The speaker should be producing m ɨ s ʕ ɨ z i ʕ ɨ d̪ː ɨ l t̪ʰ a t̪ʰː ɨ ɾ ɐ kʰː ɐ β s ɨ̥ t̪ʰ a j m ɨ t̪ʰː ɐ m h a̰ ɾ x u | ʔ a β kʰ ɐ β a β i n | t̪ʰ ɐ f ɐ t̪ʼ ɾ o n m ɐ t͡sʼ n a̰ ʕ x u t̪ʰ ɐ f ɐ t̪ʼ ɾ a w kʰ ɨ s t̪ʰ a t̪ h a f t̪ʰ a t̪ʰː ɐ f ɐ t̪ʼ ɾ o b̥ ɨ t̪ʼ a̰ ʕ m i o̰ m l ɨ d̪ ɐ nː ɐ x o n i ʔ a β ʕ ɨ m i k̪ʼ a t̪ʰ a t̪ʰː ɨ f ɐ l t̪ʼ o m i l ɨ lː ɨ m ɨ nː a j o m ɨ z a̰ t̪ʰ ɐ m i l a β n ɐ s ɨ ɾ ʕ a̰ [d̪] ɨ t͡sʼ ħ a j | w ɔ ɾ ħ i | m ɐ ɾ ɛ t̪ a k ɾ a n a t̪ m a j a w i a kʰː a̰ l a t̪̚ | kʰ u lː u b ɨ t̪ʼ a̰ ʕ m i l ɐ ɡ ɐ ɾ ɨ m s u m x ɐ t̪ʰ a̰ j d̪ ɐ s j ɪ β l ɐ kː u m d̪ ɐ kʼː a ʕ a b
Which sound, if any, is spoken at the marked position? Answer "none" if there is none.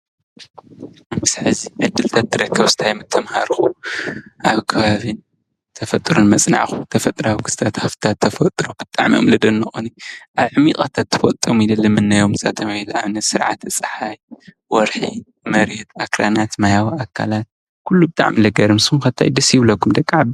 t̪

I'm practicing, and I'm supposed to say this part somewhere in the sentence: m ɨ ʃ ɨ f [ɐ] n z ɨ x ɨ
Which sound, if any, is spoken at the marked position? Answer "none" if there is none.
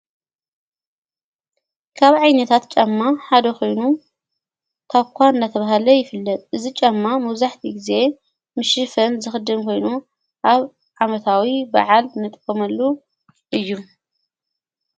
ɐ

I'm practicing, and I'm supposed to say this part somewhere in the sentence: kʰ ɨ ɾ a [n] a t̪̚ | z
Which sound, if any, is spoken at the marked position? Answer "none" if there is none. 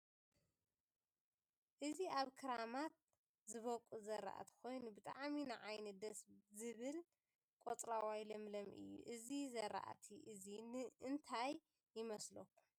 m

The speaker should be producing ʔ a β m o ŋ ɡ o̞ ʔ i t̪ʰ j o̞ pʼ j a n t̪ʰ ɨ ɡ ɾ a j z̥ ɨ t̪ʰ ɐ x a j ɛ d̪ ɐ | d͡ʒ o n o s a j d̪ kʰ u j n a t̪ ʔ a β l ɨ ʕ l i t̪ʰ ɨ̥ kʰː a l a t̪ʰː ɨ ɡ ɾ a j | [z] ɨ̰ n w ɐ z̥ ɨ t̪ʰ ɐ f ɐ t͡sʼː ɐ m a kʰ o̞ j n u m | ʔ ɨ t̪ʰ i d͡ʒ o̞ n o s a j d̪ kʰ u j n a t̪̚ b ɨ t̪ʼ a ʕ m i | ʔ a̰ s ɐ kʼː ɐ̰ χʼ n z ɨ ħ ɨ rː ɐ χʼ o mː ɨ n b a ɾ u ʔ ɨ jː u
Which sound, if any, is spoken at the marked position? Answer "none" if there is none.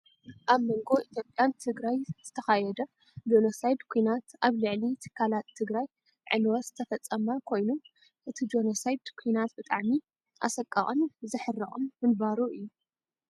ʕ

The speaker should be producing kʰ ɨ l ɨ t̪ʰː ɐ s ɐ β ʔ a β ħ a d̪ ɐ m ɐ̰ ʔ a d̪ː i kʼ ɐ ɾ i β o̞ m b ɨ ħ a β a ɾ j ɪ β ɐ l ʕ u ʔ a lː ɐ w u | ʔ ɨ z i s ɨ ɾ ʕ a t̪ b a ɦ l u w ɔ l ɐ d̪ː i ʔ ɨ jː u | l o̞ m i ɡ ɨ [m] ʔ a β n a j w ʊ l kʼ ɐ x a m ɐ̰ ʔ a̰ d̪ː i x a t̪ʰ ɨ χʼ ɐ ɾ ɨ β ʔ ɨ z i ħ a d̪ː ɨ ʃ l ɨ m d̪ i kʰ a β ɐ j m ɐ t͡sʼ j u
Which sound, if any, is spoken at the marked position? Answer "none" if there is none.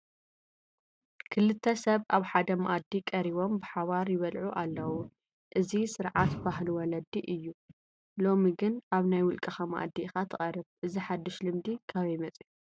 n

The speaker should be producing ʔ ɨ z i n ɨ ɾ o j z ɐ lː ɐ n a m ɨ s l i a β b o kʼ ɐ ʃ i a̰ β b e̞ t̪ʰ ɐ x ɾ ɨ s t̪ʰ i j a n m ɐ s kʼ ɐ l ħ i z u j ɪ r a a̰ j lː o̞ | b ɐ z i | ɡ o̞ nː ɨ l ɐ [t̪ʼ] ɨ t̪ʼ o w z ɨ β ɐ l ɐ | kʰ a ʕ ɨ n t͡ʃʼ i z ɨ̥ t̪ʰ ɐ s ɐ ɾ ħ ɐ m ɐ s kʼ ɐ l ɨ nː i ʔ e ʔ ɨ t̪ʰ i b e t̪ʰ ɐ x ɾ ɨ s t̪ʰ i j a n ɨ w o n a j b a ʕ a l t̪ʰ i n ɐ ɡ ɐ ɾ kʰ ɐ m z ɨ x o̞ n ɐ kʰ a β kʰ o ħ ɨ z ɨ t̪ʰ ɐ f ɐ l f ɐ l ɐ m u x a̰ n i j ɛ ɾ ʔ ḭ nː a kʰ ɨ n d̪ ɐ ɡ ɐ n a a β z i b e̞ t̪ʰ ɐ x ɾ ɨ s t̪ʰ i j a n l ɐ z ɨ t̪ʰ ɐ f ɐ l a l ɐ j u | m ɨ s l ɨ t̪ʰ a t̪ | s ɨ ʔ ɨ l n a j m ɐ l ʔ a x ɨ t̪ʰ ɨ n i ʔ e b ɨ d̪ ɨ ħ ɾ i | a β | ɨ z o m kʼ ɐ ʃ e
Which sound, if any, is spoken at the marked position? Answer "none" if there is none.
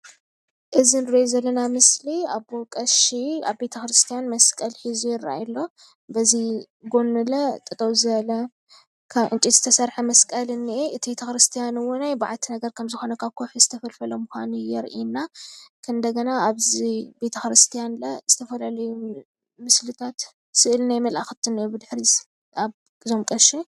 t̪ʼ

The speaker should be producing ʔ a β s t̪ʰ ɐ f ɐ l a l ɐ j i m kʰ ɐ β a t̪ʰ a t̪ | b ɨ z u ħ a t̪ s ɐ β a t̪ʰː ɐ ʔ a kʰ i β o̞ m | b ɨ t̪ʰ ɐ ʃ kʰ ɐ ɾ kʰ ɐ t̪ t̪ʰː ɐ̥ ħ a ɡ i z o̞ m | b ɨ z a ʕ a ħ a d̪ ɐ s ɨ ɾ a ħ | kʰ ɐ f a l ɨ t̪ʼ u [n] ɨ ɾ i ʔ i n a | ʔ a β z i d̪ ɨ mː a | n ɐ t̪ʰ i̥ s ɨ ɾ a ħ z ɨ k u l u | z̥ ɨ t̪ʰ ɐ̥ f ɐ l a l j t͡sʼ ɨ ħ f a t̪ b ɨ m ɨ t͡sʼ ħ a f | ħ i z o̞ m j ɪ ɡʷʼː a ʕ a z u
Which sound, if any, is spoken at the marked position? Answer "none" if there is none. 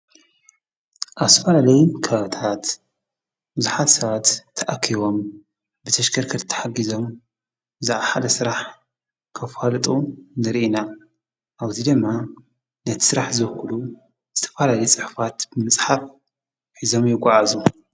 n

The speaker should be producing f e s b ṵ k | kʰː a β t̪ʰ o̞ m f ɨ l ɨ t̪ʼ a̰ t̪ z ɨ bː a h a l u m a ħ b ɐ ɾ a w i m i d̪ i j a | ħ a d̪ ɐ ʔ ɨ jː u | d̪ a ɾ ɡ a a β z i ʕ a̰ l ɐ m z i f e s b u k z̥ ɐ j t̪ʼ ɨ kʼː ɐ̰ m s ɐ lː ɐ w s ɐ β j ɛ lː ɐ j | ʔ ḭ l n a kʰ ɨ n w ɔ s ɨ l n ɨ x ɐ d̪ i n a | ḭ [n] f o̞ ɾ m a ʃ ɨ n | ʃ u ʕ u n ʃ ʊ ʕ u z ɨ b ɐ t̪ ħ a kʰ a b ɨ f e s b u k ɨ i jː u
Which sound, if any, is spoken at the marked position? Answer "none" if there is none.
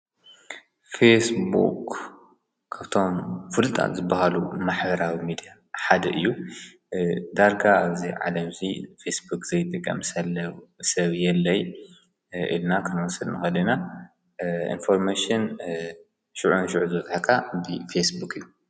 n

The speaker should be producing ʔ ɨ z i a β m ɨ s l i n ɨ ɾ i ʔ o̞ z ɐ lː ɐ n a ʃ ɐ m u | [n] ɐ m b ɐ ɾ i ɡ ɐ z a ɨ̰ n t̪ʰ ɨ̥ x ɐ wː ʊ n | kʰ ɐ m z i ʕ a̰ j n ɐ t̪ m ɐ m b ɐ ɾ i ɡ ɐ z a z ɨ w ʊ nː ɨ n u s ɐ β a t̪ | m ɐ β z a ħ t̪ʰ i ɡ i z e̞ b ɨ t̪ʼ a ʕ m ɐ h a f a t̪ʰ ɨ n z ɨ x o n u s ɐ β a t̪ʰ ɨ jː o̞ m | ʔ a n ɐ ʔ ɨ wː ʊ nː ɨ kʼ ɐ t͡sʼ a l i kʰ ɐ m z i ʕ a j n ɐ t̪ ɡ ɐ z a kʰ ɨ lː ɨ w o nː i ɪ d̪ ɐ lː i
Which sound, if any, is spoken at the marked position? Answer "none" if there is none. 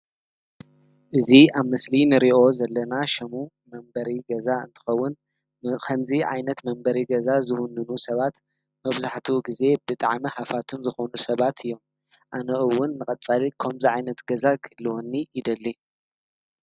m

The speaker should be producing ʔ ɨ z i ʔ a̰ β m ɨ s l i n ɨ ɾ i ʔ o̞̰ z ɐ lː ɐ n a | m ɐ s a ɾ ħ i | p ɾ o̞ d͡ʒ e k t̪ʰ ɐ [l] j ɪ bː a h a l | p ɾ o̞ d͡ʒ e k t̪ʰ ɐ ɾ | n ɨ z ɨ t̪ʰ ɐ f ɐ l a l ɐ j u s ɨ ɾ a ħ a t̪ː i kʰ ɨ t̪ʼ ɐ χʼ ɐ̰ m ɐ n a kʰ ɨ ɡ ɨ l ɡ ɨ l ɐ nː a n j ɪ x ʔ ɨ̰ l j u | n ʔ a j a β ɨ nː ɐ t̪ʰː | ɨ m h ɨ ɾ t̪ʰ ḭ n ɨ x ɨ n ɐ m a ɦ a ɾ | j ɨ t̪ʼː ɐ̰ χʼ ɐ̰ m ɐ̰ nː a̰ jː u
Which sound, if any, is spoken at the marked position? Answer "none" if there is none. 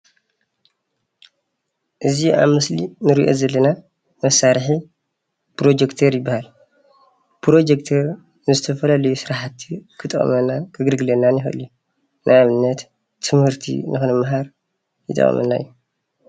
ɾ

